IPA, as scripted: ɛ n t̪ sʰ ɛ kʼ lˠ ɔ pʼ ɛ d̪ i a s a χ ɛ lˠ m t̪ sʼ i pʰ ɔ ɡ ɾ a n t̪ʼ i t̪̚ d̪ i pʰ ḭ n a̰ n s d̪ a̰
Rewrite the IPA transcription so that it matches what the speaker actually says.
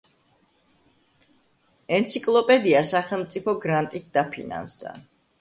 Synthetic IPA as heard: ɛ n t̪ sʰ i kʼ lˠ ɔ pʼ ɛ d̪ i a s a χ ɛ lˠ m t̪ sʼ i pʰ ɔ ɡ ɾ a n t̪ʼ i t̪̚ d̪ a pʰ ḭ n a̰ n s d̪ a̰